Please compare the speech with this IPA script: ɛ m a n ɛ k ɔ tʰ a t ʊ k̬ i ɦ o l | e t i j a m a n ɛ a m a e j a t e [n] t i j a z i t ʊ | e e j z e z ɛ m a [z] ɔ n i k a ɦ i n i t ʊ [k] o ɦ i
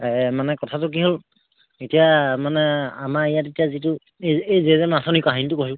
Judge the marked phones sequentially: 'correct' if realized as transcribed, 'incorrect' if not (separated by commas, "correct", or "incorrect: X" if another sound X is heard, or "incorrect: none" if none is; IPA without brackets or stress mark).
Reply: incorrect: none, incorrect: s, correct